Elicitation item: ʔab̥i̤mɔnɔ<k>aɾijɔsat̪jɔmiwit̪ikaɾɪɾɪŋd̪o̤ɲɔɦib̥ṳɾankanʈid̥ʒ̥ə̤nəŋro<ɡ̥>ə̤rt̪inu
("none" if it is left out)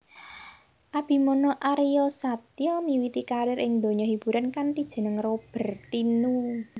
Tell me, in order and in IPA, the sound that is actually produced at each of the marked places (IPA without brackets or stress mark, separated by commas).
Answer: ʔ, b̥